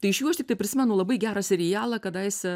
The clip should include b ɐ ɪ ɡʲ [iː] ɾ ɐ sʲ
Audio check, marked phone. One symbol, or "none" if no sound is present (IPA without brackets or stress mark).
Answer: æː